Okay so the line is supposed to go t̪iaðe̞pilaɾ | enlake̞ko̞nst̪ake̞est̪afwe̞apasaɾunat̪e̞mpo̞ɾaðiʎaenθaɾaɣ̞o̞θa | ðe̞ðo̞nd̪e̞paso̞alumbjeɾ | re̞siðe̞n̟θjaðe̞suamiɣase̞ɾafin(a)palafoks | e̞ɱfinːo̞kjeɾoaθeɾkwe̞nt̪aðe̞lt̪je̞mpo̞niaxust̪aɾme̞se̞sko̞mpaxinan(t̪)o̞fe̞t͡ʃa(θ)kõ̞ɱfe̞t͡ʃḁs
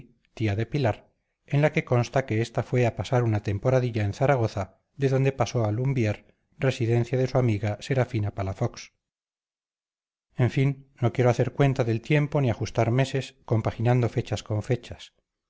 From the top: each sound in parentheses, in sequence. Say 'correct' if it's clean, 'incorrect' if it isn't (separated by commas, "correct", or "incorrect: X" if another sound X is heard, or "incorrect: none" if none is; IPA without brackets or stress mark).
correct, incorrect: d̪, incorrect: s